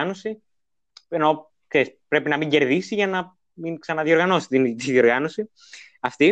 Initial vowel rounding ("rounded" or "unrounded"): rounded